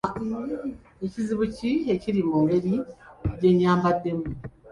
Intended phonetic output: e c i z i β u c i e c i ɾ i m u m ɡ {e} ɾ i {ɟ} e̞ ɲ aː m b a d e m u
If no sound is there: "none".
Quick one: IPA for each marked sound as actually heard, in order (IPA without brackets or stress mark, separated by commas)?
e, ɟ